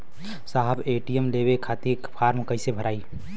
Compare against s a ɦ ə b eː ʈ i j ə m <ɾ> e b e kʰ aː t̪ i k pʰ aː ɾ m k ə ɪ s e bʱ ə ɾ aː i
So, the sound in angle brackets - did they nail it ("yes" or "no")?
no